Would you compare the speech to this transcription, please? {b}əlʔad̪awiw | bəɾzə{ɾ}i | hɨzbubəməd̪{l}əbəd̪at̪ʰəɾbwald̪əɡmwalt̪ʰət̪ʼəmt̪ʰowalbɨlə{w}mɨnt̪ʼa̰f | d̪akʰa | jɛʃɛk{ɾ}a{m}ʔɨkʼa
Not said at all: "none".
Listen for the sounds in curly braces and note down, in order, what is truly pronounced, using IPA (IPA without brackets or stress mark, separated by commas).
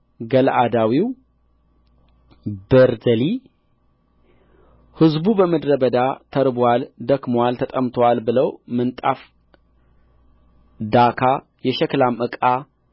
ɡ, l, ɾ, w, l, m